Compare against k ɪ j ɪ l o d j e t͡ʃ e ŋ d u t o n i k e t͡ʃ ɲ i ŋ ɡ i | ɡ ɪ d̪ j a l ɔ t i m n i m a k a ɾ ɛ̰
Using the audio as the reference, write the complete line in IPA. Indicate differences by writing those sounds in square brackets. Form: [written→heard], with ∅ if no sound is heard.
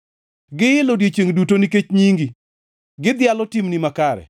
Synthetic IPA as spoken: [k→ɡ] ɪ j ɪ l o d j e t͡ʃ e ŋ d u t o n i k e t͡ʃ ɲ i ŋ ɡ i | ɡ ɪ d̪ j a l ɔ t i m n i m a k a ɾ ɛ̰

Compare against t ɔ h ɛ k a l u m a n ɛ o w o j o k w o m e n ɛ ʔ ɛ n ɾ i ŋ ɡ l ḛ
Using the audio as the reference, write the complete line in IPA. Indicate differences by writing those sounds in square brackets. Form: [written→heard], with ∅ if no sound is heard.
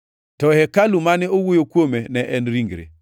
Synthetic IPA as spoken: t ɔ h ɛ k a l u m a n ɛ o w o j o k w o m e n ɛ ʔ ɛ n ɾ i ŋ ɡ [l→ɾ] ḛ

